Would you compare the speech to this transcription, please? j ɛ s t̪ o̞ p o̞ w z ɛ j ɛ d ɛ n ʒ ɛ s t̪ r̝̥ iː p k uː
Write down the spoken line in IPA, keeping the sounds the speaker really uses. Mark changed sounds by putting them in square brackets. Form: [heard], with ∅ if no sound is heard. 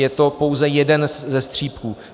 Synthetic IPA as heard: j ɛ [∅] t̪ o̞ p o̞ w z ɛ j ɛ d ɛ n [z] ɛ s t̪ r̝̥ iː p k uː